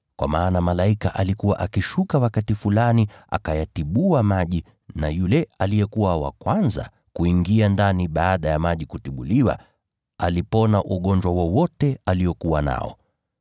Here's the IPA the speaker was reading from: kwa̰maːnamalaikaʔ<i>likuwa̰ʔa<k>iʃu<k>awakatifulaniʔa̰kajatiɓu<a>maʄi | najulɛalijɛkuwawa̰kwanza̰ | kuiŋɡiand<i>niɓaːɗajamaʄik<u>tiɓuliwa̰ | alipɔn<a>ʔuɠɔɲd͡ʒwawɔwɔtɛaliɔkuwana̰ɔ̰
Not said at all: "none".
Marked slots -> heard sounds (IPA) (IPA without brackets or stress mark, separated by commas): a, k, k, a, a, u, a